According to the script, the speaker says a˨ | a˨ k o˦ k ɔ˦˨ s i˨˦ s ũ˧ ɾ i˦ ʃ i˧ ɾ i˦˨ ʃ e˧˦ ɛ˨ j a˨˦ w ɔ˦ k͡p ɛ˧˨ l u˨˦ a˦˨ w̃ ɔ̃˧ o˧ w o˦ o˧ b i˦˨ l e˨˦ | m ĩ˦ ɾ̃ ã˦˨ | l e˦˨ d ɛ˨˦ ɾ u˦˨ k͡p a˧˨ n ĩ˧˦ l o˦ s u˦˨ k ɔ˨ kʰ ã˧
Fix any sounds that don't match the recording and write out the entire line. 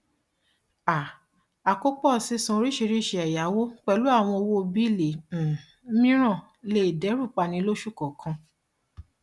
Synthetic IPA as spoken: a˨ | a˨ k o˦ k͡p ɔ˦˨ s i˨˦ s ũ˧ ɾ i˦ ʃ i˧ ɾ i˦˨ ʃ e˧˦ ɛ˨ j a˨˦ w o˦ k͡p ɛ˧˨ l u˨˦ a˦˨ w̃ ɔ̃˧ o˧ w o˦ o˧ b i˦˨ l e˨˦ | m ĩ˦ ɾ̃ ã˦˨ | l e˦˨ d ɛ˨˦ ɾ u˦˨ k͡p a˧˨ n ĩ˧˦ l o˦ ʃ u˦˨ k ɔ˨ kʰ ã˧